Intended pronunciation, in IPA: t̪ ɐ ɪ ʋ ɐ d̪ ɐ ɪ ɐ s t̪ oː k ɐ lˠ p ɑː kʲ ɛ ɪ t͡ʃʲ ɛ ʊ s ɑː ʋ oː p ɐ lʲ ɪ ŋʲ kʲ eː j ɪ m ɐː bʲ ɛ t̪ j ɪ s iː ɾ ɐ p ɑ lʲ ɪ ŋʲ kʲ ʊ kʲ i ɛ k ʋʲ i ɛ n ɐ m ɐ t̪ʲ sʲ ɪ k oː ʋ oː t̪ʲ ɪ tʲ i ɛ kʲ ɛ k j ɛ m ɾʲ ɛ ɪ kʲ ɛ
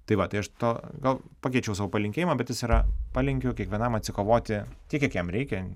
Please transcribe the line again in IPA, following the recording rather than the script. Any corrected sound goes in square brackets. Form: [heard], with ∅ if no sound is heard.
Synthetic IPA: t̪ ɐ ɪ ʋ ɐ [t̪] ɐ ɪ ɐ [ʃ] t̪ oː [ɡ] ɐ lˠ p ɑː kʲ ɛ ɪ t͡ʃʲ ɛ ʊ s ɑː ʋ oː p ɐ lʲ ɪ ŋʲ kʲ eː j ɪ m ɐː bʲ ɛ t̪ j ɪ s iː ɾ ɐ p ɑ lʲ ɪ ŋʲ kʲ ʊ kʲ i ɛ k ʋʲ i ɛ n ɐ m ɐ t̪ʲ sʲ ɪ k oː ʋ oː t̪ʲ ɪ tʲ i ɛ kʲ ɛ k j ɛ m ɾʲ ɛ ɪ kʲ ɛ